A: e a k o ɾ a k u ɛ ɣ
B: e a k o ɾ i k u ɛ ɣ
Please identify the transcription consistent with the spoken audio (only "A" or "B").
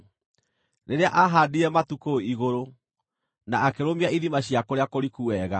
B